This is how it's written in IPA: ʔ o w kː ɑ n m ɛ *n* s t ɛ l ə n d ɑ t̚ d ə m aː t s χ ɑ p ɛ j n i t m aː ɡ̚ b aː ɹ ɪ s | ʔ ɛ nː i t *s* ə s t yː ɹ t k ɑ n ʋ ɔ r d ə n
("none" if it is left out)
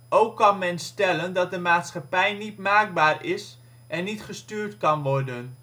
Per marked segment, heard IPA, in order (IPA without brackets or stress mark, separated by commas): n, χ